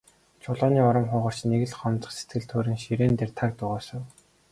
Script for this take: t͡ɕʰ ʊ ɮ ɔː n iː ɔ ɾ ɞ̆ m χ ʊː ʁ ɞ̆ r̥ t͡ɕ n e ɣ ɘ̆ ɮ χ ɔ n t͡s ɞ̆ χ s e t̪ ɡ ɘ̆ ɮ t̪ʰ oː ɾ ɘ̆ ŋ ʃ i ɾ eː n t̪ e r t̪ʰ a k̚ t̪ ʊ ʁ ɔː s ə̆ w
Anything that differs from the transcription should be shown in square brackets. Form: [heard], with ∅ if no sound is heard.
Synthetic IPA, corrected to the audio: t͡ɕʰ ʊ ɮ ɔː n iː ɔ ɾ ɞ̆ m χ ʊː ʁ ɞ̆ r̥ t͡ɕ n e ɣ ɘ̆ ɮ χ ɔ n t͡s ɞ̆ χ s e t̪ ɡ ɘ̆ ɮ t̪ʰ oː ɾ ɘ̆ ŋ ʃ i ɾ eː n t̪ e r t̪ʰ a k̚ t̪ ʊ ʁ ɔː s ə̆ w

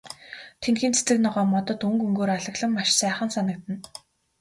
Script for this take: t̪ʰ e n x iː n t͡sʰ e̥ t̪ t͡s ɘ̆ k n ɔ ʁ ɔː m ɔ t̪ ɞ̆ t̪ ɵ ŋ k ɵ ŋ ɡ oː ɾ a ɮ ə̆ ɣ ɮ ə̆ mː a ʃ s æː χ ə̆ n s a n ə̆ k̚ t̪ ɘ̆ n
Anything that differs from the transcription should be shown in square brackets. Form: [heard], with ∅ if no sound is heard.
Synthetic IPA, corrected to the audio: t̪ʰ e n x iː n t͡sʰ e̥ [∅] t͡s ɘ̆ k n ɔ ʁ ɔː m ɔ t̪ ɞ̆ t̪ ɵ ŋ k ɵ ŋ ɡ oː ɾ a ɮ ə̆ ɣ ɮ ə̆ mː a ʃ s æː χ ə̆ n s a n ə̆ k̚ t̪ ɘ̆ n

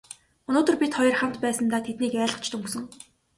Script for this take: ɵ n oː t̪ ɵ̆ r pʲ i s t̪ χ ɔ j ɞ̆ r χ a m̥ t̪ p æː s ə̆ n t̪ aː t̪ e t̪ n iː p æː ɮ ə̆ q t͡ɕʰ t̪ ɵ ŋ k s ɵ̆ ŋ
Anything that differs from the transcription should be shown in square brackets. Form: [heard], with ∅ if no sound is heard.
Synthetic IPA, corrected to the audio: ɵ n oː t̪ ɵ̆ r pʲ i [∅] t̪ χ ɔ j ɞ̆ r χ a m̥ t̪ p æː s ə̆ n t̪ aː [t̪ʰ] e t̪ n iː [k] æː ɮ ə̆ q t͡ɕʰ t̪ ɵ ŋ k s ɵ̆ ŋ

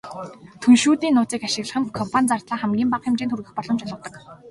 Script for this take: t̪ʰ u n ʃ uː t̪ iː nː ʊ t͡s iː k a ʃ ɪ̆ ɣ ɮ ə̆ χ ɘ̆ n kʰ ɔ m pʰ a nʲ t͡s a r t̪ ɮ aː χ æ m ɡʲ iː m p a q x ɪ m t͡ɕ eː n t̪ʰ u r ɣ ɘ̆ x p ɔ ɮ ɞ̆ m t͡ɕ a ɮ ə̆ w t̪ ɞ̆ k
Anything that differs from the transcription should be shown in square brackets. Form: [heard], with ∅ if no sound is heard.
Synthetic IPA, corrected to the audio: t̪ʰ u n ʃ uː t̪ iː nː [ʊː] t͡s iː k a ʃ ɪ̆ ɣ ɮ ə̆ χ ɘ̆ n kʰ ɔ m pʰ a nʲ t͡s a r t̪ ɮ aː χ æ m ɡʲ iː m p a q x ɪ m t͡ɕ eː n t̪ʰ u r ɣ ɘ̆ x p ɔ ɮ ɞ̆ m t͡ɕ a ɮ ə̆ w t̪ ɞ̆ k

